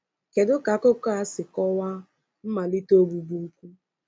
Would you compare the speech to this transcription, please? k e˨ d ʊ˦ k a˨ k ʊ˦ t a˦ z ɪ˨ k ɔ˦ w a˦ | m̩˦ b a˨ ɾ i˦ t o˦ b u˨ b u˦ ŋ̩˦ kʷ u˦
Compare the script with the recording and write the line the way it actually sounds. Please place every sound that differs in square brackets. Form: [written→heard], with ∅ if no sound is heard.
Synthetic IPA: k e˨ d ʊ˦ k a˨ k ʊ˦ [t→k] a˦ [z→s] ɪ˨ k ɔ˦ w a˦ | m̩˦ [b→m] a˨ [ɾ→l] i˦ t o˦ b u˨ b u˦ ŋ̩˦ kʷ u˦